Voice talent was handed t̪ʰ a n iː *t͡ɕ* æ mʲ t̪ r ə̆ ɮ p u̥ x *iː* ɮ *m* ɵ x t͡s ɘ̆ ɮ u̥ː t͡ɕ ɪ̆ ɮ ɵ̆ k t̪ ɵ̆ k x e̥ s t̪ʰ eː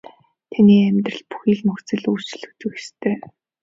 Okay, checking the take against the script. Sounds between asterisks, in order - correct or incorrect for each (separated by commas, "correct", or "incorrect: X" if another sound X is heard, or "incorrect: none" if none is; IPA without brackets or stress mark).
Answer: incorrect: none, correct, correct